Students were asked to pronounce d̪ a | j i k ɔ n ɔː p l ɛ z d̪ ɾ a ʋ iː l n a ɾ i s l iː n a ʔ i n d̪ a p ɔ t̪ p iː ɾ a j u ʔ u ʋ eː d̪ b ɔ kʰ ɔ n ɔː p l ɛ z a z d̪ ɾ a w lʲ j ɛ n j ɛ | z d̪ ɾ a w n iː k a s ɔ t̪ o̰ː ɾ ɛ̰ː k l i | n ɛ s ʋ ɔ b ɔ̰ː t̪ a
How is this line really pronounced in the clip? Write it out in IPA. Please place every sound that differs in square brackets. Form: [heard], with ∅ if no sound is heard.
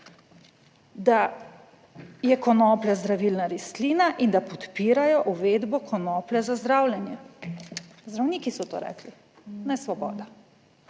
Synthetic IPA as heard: d̪ a | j [ɛ] k ɔ n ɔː p l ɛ z d̪ ɾ a ʋ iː l n a ɾ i s l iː n a ʔ i n d̪ a p ɔ t̪ p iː ɾ a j [ɔ] ʔ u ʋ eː d̪ b ɔ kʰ ɔ n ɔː p l ɛ z a z d̪ ɾ a w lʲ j ɛ n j ɛ | z d̪ ɾ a w n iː k [i] s ɔ t̪ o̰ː ɾ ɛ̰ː k l i | n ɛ s ʋ ɔ b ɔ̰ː [d̪] a